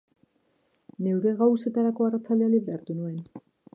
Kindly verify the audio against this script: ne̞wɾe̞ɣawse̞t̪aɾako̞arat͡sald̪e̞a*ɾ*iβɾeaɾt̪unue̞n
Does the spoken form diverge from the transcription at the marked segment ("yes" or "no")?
yes